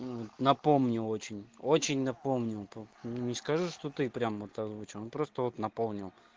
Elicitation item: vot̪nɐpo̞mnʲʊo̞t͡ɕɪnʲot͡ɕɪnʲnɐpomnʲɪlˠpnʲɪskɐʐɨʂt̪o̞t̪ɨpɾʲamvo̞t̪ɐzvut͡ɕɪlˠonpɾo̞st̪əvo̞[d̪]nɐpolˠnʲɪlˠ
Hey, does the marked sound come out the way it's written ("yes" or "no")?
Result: no